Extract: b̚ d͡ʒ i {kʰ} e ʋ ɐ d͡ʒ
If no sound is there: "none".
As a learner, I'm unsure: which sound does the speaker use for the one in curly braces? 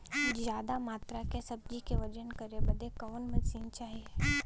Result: k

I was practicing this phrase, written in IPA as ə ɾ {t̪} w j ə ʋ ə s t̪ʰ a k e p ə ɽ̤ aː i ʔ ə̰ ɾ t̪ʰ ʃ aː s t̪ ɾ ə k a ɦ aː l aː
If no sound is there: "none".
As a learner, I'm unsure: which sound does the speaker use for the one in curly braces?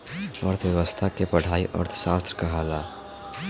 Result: t̪ʰ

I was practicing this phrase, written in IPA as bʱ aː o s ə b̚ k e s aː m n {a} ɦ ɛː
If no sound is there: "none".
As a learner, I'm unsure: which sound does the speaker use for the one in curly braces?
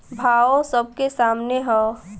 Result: e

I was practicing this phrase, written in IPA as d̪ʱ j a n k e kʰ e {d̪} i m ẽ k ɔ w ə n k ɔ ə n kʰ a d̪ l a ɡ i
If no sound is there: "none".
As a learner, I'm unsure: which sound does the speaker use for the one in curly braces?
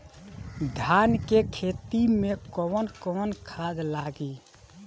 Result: t̪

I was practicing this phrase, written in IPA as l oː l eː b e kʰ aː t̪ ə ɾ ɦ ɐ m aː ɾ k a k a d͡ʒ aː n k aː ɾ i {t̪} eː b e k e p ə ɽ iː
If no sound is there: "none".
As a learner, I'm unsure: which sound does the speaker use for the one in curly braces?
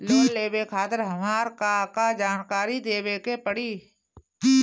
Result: d̪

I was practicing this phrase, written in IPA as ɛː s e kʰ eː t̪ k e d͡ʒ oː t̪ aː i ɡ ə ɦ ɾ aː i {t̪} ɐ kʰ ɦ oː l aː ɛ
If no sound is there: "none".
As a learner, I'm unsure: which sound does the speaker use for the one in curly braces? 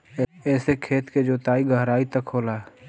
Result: t̪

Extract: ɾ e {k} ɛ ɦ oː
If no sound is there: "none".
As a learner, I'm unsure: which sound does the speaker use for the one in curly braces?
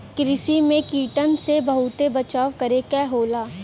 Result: k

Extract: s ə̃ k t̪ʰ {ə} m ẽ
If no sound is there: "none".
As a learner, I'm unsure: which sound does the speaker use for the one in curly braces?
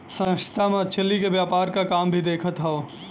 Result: a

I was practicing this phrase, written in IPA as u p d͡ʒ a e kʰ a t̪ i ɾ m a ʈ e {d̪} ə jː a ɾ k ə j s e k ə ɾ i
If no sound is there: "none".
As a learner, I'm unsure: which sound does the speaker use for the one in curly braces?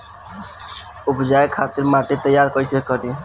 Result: t̪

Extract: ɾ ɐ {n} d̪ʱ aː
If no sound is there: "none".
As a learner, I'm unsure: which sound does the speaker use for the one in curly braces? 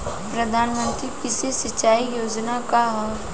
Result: none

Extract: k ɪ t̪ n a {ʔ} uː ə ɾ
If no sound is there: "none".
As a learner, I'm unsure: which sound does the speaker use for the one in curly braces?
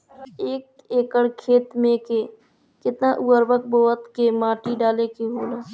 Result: ʔ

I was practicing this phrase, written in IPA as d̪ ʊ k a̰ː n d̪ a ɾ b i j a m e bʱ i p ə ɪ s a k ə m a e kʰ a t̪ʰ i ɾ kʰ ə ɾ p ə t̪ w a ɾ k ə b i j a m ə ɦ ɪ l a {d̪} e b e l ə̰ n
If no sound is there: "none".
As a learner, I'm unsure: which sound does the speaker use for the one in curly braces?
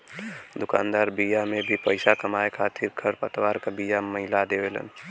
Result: d̪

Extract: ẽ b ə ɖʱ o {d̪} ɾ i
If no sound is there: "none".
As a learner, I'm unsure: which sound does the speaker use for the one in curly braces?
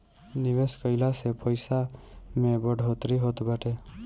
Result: t̪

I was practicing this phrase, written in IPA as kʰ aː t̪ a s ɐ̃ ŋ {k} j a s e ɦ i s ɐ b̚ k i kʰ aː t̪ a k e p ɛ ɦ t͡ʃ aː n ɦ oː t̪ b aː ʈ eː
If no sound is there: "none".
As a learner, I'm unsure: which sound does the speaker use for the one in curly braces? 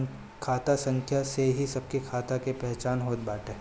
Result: kʰ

